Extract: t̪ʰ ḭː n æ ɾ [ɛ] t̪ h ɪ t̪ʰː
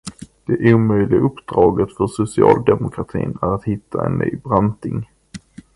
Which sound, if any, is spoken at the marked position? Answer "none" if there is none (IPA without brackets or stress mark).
a